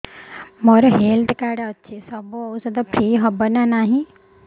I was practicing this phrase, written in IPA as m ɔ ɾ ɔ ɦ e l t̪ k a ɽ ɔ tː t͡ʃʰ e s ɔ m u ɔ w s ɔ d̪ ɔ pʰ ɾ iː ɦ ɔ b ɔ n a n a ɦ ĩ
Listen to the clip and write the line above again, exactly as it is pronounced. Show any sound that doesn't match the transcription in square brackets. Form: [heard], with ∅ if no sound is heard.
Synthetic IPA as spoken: m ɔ ɾ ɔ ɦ e l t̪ k a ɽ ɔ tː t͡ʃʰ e s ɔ [b] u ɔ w s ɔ d̪ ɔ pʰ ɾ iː ɦ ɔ b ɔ n a n a ɦ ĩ